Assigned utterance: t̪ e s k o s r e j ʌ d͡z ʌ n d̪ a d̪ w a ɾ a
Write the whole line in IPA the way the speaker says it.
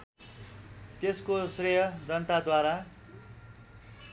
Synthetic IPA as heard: t̪ e s k o s r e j ʌ d͡z ʌ n t̪ a d̪ w a ɾ a